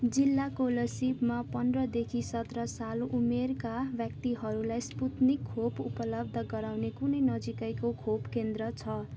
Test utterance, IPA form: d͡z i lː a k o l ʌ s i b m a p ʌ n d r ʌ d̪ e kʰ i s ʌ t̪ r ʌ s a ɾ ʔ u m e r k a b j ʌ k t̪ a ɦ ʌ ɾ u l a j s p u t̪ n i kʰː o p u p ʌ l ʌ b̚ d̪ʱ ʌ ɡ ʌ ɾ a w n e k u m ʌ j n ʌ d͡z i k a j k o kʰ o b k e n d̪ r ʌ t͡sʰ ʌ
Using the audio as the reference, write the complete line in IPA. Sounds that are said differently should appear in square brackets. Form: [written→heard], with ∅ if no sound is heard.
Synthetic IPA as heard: d͡z i lː a k o l ʌ s i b m a p ʌ n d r ʌ d̪ e kʰ i s ʌ t̪ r ʌ s a [ɾ→l] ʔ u m e r k a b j ʌ k t̪ [a→i] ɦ ʌ ɾ u l a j s p u t̪ n i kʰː o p u p ʌ l ʌ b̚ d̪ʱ ʌ ɡ ʌ ɾ a w n e k u [m→n] ʌ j n ʌ d͡z i k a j k o kʰ o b k e n d̪ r ʌ t͡sʰ ʌ